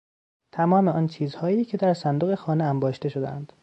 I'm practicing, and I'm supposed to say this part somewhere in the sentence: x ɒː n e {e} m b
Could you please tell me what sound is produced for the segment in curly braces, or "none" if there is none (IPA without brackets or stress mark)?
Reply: æ